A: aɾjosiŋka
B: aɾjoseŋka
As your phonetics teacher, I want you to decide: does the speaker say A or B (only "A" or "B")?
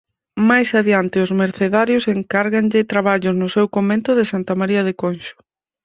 B